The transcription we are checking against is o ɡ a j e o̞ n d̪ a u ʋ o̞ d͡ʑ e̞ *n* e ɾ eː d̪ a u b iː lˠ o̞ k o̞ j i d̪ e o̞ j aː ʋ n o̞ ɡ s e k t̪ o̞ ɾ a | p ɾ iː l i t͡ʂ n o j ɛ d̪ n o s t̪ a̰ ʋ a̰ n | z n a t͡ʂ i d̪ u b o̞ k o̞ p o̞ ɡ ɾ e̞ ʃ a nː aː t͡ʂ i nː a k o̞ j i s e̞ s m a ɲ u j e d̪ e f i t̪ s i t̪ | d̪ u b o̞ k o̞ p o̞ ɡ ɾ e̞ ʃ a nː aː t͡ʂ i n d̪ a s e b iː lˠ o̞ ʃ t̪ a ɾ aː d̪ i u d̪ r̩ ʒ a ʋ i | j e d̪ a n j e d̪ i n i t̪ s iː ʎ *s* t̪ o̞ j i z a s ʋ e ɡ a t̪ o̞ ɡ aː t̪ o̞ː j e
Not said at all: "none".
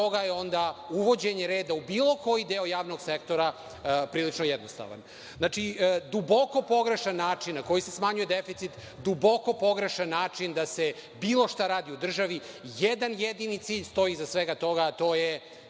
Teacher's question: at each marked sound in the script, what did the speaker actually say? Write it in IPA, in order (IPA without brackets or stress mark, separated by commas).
ɲ, s